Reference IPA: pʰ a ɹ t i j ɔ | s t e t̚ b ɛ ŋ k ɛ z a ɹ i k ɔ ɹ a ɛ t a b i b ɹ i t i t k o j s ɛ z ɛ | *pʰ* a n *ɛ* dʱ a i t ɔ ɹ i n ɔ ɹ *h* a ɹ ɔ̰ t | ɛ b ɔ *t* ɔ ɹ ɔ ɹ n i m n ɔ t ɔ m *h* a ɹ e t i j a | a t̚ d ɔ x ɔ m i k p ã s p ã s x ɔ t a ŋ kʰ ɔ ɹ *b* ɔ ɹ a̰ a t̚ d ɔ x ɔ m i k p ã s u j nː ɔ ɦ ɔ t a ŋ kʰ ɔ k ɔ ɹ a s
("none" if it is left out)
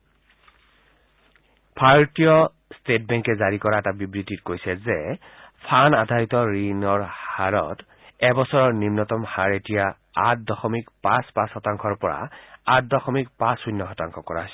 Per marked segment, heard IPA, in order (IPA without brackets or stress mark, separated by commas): pʰ, a, h, s, h, p